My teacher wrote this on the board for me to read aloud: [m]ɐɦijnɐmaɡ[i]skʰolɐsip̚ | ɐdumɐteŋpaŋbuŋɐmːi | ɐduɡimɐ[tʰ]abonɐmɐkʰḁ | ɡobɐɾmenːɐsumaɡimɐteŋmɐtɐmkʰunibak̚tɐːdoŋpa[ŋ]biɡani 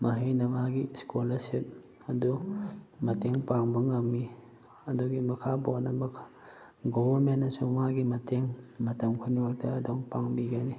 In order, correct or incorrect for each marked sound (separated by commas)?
correct, correct, incorrect, correct